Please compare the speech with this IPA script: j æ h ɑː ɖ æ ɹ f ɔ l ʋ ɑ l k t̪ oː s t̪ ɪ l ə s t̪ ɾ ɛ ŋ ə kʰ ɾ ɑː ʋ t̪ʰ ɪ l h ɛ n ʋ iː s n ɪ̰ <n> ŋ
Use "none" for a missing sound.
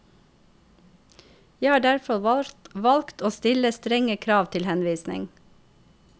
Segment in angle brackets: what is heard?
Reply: none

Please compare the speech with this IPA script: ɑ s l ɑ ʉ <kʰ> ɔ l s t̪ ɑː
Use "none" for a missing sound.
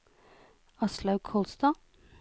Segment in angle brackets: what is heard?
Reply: kʰ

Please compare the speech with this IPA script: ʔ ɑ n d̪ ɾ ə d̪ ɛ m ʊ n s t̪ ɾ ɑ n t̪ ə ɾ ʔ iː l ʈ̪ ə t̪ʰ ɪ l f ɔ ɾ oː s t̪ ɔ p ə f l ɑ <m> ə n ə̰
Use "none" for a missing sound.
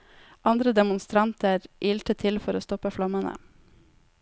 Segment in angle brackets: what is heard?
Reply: m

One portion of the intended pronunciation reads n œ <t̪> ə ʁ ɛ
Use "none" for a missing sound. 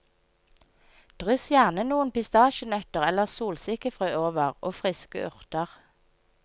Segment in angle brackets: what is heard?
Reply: t̪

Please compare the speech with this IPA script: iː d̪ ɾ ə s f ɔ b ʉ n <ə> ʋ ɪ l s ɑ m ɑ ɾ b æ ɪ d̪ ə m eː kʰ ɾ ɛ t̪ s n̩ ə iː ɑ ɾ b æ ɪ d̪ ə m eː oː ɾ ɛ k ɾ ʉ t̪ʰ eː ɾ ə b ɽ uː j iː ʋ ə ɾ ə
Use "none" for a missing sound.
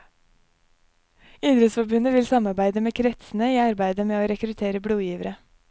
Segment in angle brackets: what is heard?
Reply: ə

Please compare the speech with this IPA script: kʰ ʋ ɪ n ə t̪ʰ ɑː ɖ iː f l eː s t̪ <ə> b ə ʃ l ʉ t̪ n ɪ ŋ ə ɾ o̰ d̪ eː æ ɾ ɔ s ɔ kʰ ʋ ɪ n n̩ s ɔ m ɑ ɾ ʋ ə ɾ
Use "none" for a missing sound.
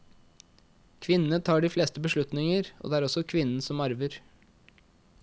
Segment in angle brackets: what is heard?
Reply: ə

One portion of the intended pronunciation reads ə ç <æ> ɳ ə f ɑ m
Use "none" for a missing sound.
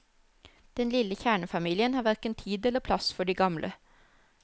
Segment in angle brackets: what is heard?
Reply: æː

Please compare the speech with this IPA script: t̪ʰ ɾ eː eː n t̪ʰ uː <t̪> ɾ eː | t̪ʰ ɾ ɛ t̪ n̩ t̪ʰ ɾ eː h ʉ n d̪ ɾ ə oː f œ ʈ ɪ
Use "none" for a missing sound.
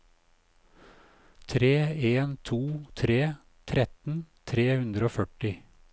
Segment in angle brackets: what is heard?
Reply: t̪ʰ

